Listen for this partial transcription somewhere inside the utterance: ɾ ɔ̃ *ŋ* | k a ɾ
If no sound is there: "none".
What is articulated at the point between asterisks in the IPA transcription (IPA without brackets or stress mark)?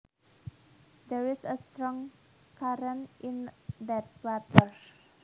ŋ